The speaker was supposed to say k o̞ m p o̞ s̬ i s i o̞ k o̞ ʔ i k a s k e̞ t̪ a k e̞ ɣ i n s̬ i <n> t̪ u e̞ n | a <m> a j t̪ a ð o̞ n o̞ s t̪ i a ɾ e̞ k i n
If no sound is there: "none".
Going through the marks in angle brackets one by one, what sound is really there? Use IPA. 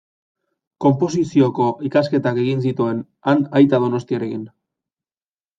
none, n

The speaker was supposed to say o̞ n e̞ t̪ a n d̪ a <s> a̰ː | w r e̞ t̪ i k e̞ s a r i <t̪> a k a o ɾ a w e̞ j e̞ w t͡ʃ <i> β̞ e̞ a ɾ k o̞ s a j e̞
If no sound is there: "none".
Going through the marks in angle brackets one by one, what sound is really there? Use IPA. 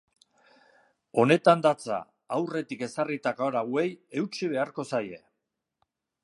t͡s, t̪, i

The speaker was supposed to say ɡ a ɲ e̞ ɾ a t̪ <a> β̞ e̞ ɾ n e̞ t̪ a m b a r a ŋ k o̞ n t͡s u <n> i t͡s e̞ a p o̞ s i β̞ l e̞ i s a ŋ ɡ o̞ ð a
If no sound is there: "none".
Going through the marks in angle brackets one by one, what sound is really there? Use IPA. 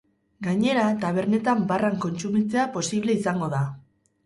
a, m

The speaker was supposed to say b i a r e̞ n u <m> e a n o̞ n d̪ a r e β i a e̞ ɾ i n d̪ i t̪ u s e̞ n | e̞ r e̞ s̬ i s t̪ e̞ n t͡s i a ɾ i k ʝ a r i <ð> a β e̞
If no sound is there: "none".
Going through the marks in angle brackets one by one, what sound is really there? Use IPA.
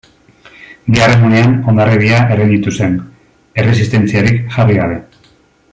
n, ɣ

